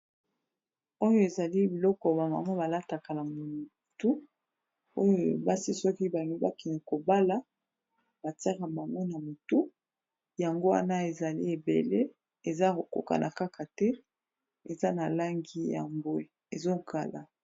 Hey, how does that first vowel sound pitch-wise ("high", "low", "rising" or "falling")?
high